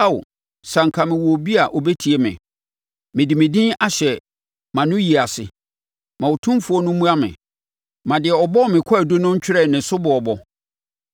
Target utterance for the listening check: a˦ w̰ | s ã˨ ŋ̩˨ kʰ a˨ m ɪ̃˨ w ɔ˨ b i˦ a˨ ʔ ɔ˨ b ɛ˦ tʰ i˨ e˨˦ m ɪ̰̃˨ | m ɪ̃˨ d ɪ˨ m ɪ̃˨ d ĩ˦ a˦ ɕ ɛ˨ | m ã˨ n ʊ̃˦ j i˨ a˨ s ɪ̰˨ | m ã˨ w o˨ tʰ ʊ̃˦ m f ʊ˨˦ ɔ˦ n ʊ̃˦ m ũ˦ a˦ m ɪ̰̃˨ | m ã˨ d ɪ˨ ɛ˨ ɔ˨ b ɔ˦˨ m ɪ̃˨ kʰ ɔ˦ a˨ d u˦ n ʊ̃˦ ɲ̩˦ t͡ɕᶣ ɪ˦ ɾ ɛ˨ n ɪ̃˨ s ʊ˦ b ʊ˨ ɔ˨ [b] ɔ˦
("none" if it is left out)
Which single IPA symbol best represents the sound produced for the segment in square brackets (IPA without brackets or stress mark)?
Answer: b